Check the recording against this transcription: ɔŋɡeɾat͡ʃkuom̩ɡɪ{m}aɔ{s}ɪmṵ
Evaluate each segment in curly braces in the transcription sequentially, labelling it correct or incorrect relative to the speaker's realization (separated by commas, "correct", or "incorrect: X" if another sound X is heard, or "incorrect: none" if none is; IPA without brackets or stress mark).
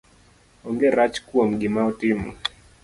correct, incorrect: t